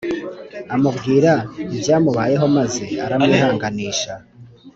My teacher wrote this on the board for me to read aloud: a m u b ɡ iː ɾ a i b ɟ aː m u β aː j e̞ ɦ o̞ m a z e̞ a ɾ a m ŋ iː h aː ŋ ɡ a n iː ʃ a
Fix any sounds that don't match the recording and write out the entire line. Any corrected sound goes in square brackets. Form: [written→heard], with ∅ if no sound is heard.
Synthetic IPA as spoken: a m u b ɡ iː ɾ a i b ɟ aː m u β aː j e̞ ɦ o̞ m a z e̞ a ɾ a m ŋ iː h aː ŋ ɡ a n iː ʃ a